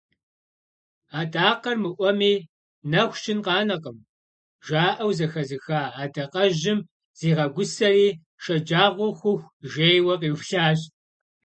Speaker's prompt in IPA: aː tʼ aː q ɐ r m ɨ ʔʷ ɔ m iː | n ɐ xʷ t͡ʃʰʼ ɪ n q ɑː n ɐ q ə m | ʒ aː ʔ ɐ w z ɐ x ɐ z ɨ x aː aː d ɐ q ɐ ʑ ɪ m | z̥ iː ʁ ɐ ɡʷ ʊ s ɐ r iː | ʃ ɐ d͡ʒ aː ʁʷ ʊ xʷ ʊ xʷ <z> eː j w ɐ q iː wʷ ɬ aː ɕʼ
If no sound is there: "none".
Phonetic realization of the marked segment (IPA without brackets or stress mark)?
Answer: ʒ